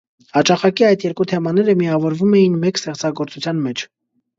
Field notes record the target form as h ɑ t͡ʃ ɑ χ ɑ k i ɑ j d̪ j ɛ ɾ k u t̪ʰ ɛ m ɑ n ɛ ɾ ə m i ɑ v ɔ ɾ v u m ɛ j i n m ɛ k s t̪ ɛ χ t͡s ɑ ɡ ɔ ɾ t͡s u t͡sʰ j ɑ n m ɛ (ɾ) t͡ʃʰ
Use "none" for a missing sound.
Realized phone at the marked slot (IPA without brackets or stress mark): none